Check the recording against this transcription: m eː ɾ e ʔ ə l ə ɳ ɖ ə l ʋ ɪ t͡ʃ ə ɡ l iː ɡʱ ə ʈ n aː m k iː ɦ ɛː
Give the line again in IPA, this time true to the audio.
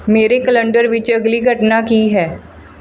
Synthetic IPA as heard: m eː ɾ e k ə l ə ɳ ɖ ə ɾ ʋ ɪ t͡ʃ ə ɡ l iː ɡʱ ə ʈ n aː k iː ɦ ɛː